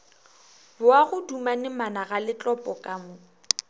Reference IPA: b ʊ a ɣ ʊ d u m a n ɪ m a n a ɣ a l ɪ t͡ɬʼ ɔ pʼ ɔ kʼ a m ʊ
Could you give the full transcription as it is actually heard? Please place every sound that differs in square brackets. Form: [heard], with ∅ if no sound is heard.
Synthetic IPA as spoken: b ʊ a ɣ ʊ d u m a n ɪ m a n a ɣ a l ɪ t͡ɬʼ ɔ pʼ ɔ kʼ a m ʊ